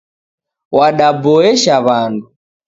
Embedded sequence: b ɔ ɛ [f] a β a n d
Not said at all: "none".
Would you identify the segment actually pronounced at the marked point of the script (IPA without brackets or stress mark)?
ʃ